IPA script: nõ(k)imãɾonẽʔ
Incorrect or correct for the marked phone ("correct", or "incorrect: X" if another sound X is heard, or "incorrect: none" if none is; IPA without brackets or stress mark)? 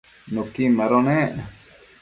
correct